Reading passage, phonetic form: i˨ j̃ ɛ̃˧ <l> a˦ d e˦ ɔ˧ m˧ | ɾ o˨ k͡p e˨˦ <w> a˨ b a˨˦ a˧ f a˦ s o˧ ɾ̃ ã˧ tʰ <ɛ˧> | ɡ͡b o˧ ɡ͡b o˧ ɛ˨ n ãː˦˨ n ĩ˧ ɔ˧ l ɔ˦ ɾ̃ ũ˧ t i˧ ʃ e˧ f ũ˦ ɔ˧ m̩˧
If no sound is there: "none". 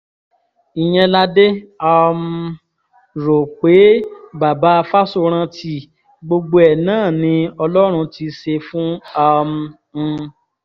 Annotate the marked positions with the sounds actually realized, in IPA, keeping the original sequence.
l, b, i˧

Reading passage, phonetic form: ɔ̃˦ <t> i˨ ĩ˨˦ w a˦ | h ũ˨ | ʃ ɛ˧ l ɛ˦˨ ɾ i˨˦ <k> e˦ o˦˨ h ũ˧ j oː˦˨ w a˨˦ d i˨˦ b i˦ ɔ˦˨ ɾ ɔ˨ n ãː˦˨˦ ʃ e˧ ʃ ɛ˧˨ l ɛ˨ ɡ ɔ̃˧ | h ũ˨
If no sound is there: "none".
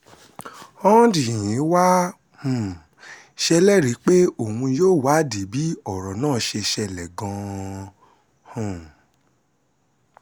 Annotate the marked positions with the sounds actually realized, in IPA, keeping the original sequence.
d, k͡p

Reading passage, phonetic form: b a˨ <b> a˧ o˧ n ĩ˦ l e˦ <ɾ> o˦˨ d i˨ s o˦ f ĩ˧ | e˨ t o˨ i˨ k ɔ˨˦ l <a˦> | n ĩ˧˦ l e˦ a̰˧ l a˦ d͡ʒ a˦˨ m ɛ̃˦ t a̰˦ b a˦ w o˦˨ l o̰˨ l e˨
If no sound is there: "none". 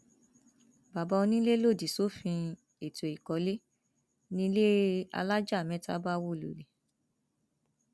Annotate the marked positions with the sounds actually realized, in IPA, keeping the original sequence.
b, l, e˦

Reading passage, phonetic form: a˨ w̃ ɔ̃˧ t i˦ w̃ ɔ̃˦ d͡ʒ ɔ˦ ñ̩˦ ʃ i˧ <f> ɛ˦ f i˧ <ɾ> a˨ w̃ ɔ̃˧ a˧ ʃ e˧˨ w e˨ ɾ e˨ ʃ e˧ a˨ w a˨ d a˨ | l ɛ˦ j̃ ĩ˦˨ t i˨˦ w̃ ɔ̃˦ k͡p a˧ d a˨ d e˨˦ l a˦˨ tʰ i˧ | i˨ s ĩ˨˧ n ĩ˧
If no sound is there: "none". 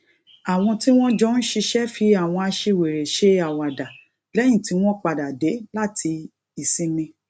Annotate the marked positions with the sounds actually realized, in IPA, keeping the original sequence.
ʃ, none

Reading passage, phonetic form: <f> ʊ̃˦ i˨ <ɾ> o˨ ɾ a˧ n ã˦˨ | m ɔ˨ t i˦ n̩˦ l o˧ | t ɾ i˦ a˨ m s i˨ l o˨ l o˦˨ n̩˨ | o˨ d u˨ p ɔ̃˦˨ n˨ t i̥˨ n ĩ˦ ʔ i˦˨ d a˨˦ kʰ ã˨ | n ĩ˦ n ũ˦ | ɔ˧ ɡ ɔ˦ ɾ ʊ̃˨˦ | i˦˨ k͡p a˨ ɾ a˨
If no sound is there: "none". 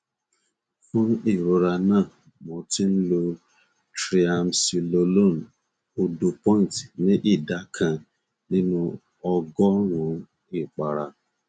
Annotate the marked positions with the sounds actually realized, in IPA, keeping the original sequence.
f, ɾ

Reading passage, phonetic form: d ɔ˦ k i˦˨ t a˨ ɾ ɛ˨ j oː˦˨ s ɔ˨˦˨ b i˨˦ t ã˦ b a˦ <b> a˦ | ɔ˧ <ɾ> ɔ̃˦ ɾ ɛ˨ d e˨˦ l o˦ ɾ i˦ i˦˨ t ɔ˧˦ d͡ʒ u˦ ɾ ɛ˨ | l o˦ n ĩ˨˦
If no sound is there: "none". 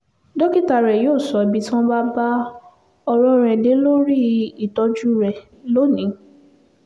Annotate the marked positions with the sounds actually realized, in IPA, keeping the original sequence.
b, ɾ

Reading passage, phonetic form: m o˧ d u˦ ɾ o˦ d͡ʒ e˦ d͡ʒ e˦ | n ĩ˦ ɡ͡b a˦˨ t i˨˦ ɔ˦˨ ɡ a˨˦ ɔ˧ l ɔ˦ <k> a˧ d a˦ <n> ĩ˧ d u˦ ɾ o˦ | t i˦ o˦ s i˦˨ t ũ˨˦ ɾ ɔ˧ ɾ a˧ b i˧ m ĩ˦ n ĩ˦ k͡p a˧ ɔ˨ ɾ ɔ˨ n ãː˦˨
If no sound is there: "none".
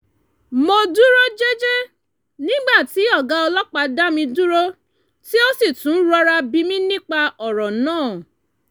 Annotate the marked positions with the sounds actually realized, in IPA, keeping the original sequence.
k͡p, m

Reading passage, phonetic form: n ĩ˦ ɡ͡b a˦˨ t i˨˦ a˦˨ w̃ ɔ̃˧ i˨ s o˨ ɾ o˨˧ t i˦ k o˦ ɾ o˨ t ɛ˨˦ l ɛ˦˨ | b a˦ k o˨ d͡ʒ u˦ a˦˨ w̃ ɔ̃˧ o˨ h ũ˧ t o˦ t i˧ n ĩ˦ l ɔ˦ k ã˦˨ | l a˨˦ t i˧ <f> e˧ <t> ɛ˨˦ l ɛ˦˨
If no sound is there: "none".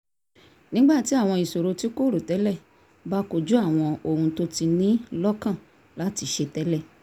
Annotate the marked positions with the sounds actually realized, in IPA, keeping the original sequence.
ʃ, t

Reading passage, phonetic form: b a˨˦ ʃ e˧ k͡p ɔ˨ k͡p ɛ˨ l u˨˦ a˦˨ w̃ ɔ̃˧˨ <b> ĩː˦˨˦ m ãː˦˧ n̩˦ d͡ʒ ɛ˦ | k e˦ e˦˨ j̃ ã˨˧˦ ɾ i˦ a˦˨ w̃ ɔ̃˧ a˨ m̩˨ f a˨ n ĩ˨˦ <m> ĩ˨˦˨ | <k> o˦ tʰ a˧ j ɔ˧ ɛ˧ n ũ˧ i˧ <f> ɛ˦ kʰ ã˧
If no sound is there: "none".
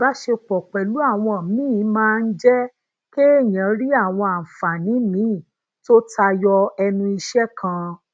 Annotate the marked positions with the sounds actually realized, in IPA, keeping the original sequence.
m, m, t, ʃ

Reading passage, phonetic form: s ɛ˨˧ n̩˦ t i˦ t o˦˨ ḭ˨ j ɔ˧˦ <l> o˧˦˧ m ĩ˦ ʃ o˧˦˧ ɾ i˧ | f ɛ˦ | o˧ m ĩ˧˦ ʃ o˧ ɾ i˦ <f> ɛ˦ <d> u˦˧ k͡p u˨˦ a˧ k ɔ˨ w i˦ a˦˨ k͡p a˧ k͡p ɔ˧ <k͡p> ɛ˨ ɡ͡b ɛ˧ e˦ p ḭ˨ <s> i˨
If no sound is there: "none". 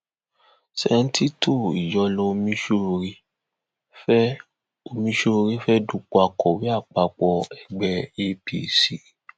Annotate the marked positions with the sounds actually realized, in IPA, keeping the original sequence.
l, f, d, none, s

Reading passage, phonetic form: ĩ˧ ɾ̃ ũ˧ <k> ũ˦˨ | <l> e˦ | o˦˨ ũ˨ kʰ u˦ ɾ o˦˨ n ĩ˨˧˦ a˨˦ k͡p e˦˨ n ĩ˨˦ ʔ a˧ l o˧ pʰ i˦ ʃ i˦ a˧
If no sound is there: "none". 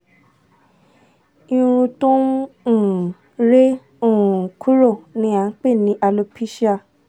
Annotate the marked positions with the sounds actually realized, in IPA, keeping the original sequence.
t, ɾ

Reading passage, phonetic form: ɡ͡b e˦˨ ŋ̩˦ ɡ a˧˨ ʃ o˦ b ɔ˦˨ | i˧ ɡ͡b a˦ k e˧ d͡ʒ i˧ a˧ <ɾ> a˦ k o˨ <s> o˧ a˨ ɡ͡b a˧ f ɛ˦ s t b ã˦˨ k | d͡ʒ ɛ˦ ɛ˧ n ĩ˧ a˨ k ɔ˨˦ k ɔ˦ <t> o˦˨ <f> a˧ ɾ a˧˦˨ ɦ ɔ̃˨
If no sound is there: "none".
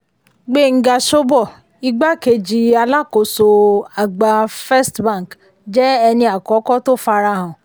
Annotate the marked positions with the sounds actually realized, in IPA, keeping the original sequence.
l, s, t, f

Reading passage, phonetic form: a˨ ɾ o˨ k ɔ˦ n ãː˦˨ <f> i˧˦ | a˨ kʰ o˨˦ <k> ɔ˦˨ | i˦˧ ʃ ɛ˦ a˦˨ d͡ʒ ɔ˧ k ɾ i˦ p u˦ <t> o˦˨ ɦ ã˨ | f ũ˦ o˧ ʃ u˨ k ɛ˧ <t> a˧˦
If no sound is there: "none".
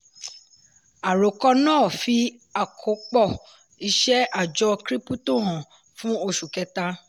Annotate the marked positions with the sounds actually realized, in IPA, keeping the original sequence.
f, k͡p, t, t

